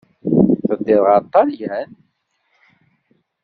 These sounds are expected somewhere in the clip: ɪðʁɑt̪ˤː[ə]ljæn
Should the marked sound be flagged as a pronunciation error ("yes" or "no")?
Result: yes